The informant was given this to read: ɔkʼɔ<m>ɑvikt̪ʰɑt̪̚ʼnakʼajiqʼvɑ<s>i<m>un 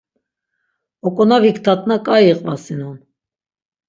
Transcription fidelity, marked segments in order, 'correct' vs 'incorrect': incorrect, correct, incorrect

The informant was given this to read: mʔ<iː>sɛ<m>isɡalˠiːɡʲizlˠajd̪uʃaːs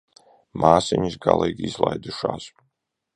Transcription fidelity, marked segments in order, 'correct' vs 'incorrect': incorrect, incorrect

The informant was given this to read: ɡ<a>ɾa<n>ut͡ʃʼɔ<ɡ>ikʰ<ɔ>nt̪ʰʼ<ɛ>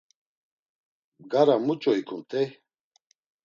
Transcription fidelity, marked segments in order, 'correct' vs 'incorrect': correct, incorrect, incorrect, incorrect, correct

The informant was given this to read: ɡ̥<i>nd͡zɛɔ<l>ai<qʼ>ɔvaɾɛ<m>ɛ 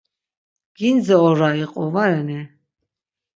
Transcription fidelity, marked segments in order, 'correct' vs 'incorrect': correct, incorrect, correct, incorrect

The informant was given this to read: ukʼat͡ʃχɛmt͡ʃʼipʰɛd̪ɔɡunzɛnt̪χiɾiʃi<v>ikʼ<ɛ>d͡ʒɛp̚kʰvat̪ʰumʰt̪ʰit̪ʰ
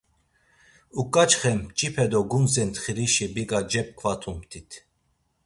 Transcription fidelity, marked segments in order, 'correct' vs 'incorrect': incorrect, incorrect

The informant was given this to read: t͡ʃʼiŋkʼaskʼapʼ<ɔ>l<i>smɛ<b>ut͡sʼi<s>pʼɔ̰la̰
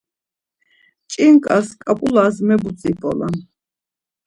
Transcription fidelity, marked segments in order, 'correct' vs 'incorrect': incorrect, incorrect, correct, incorrect

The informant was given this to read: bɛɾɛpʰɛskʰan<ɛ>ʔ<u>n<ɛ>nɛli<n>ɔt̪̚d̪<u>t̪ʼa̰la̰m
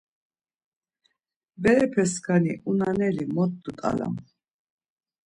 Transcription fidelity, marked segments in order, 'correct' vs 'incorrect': incorrect, correct, incorrect, incorrect, correct

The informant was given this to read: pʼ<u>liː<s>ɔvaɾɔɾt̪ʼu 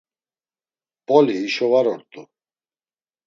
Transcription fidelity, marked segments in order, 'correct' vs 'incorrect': incorrect, incorrect

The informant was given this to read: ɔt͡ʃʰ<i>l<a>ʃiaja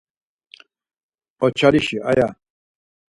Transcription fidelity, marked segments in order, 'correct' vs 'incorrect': incorrect, incorrect

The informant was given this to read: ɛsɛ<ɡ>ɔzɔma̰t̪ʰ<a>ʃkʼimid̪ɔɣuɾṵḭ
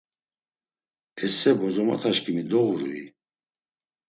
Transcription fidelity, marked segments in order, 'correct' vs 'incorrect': incorrect, correct

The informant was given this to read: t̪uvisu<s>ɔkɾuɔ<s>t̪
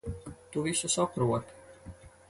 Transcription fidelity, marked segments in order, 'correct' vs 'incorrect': correct, incorrect

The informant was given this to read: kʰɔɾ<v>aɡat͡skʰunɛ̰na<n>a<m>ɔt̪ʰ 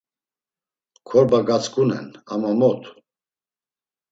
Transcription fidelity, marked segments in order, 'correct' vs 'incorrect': incorrect, incorrect, correct

